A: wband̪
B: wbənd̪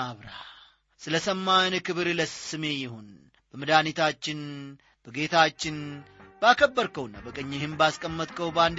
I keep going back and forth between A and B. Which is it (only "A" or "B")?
A